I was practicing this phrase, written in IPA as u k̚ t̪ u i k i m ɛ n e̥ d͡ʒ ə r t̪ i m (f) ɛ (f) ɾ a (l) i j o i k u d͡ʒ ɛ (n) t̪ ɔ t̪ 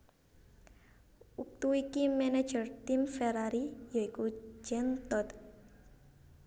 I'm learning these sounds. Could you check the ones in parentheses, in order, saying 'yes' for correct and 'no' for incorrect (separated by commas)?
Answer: yes, no, no, yes